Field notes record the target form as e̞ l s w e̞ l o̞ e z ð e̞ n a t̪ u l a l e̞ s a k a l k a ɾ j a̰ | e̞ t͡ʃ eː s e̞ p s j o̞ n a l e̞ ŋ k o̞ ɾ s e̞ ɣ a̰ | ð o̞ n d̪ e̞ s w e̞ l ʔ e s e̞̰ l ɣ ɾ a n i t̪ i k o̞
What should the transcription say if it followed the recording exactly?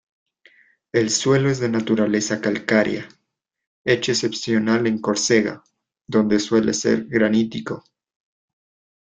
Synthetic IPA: e̞ l s w e̞ l o̞ e z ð e̞ n a t̪ u ɾ a l e̞ s a k a l k a ɾ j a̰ | e̞ t͡ʃ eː s e̞ p s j o̞ n a l e̞ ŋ k o̞ ɾ s e̞ ɣ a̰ | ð o̞ n d̪ e̞ s w e̞ l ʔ e s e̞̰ ɾ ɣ ɾ a n i t̪ i k o̞